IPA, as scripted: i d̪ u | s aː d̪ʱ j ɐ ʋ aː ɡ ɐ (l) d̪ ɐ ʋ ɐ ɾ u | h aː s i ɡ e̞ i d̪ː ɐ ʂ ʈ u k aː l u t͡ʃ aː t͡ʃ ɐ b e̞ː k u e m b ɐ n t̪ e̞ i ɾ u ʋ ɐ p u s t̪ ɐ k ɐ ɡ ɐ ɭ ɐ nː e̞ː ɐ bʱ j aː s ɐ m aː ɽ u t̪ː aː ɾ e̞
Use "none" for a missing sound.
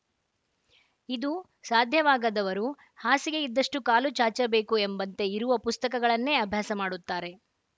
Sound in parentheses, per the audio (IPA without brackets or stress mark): none